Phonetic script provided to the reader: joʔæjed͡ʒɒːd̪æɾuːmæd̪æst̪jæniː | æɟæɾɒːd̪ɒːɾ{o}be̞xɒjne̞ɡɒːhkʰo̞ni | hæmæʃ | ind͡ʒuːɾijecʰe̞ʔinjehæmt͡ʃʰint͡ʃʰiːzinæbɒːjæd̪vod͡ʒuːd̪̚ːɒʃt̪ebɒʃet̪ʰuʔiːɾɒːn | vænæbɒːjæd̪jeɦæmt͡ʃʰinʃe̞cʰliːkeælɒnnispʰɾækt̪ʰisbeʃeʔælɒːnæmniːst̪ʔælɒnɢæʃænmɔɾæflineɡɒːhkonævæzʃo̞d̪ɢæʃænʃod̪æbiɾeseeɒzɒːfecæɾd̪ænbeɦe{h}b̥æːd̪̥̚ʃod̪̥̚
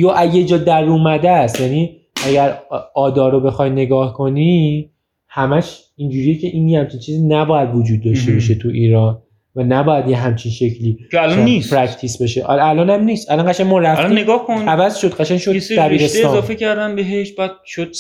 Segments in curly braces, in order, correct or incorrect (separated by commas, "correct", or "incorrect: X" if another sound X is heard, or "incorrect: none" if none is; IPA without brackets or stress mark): correct, incorrect: ʃ